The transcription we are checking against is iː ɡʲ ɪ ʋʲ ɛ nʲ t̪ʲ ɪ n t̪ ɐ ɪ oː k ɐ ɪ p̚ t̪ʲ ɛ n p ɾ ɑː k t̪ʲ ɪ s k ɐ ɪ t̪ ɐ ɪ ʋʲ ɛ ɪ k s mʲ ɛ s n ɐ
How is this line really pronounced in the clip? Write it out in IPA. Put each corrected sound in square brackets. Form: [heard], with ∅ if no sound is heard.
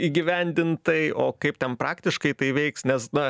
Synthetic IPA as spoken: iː ɡʲ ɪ ʋʲ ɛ nʲ [d̪ʲ] ɪ n t̪ ɐ ɪ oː k ɐ ɪ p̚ t̪ʲ ɛ n p ɾ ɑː k t̪ʲ ɪ [ʃ] k ɐ ɪ t̪ ɐ ɪ ʋʲ ɛ ɪ k s [nʲ] ɛ s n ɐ